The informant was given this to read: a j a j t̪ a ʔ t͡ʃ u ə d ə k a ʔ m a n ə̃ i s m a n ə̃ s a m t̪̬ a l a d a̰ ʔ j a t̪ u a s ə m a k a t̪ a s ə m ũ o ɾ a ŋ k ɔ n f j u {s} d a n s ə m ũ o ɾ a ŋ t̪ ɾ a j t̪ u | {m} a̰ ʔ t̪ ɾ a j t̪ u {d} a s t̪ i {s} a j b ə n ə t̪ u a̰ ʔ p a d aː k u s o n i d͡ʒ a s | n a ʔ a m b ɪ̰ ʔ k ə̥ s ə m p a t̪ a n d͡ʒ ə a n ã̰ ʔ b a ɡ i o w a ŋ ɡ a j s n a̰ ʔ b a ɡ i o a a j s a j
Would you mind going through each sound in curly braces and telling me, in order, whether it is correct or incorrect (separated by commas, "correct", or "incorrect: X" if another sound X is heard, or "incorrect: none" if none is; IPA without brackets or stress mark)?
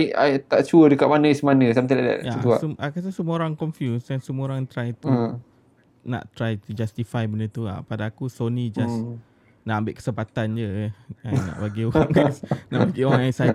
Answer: correct, incorrect: n, incorrect: d͡ʒ, incorrect: f